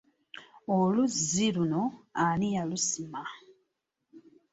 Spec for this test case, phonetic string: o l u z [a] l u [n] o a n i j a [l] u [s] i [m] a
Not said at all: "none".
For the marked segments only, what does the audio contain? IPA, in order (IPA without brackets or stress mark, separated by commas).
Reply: i, n, l, s, m